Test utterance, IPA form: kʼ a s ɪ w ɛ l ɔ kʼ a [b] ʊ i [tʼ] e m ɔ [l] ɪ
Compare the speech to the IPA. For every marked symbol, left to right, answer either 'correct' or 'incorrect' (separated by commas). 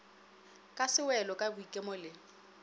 correct, incorrect, correct